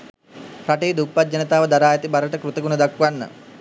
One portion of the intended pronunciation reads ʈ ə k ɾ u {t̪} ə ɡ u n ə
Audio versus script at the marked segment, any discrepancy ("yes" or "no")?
no